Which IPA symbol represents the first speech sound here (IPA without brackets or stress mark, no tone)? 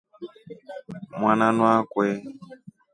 m